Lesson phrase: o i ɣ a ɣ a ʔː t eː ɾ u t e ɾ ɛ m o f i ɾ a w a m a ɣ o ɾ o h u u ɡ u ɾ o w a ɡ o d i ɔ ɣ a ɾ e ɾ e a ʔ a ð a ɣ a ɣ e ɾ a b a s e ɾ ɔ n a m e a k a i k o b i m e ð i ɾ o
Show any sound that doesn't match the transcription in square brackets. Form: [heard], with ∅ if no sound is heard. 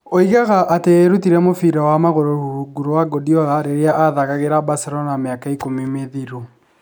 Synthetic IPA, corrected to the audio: o i ɣ a ɣ a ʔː t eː ɾ u t [i] ɾ ɛ m o f i ɾ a w a m a ɣ o ɾ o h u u ɡ u ɾ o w a ɡ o d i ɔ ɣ a ɾ e ɾ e a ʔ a ð a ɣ a ɣ e ɾ a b a s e ɾ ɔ n a m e a k a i k o [m] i m e ð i ɾ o